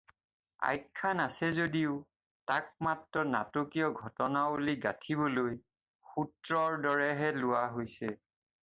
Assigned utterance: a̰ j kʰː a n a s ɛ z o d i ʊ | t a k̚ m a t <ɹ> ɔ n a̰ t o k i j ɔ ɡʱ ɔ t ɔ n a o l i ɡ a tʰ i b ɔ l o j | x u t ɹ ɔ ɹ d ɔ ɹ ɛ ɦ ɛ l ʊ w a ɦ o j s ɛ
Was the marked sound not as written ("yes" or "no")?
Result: no